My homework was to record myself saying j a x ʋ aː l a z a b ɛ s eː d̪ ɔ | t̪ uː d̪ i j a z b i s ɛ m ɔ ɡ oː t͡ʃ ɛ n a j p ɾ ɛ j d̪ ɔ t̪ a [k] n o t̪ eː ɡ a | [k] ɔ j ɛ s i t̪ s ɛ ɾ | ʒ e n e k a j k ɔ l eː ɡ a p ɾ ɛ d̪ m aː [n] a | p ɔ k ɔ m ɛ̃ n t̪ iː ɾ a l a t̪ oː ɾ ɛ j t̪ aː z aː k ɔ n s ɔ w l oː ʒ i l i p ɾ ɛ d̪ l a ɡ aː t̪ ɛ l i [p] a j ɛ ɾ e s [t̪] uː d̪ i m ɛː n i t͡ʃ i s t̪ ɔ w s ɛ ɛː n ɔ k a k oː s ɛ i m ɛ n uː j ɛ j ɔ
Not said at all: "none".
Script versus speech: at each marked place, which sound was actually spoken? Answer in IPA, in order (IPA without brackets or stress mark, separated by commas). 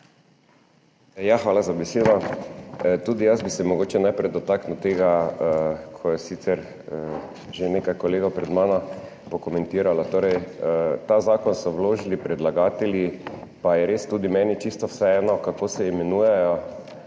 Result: k, kʰ, n, p, t̪